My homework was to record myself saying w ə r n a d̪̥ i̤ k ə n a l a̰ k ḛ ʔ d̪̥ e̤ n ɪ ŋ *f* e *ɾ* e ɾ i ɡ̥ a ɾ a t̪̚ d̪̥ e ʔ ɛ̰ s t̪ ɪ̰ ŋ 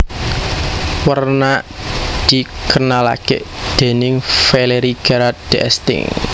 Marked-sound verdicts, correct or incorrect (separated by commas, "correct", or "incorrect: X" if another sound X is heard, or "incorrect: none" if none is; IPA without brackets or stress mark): correct, incorrect: l